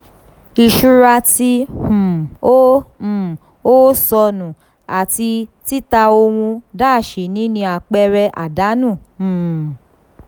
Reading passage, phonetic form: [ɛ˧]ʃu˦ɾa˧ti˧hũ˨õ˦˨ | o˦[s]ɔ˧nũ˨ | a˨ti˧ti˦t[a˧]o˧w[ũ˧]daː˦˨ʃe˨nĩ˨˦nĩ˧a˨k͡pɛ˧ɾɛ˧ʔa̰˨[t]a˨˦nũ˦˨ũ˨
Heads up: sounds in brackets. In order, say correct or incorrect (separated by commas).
incorrect, correct, correct, correct, incorrect